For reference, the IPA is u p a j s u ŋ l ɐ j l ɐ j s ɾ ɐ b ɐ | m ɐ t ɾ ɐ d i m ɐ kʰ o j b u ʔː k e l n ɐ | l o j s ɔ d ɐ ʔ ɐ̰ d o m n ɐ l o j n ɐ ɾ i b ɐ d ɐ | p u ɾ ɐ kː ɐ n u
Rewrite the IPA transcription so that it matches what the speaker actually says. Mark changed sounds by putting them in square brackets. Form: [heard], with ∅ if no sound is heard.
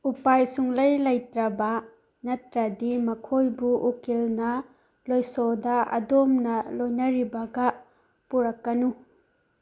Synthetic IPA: u p a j s u ŋ l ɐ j l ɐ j [t] ɾ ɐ b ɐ | [n] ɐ t ɾ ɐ d i m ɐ kʰ o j b u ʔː k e l n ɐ | l o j s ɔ d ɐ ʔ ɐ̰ d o m n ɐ l o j n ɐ ɾ i b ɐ [ɡ] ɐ | p u ɾ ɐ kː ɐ n u